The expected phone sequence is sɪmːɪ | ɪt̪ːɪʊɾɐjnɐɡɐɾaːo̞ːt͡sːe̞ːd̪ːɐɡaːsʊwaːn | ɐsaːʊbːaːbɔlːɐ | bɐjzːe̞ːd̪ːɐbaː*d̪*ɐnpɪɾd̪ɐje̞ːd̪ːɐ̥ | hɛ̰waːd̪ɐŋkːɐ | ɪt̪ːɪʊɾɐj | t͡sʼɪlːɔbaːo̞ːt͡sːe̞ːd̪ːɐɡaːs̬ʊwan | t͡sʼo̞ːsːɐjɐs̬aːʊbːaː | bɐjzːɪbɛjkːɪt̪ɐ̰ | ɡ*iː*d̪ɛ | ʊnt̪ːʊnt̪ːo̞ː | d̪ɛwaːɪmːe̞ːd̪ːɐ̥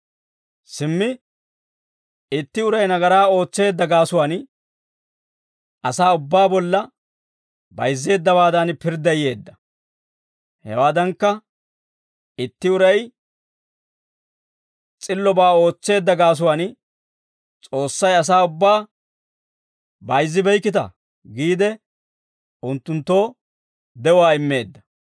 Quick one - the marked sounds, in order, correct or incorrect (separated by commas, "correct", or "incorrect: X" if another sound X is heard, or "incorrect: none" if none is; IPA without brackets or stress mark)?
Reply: correct, correct